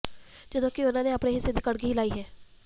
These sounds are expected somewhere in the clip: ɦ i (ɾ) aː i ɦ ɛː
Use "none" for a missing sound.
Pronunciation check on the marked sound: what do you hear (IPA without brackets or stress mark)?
l